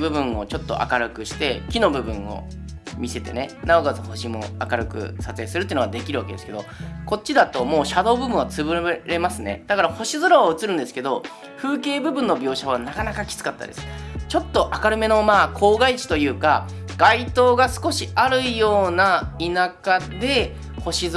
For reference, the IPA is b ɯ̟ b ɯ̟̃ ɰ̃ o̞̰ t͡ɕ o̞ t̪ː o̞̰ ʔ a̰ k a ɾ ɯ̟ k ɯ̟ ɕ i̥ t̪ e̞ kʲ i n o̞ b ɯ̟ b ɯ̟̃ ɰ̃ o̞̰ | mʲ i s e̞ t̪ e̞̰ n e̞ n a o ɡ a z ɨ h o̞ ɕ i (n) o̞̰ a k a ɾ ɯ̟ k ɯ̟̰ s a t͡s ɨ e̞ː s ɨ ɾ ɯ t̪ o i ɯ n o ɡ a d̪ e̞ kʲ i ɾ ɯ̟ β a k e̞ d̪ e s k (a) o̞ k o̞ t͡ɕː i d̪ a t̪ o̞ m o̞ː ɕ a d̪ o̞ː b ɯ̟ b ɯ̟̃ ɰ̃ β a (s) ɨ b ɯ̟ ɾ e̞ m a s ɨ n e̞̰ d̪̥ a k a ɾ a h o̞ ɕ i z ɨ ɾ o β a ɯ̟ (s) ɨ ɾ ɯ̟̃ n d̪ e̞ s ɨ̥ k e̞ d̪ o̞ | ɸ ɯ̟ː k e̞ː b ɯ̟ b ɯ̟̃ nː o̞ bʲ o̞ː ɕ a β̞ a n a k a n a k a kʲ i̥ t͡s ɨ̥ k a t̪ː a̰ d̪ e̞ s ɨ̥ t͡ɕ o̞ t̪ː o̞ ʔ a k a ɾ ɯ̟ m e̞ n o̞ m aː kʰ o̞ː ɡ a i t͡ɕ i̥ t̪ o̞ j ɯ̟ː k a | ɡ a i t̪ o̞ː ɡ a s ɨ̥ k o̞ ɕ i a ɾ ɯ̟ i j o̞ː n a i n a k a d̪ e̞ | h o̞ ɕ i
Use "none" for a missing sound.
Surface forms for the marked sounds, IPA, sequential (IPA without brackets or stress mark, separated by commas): m, e, t͡s, t͡s